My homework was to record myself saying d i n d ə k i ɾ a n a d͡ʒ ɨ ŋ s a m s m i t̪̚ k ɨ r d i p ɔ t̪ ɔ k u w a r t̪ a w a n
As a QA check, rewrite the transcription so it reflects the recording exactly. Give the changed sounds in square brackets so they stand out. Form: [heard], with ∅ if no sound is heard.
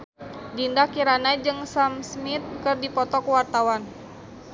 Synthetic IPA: d i n d [a] k i ɾ a n a d͡ʒ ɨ ŋ s a m s m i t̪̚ k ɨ r d i p ɔ t̪ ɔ k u w a r t̪ a w a n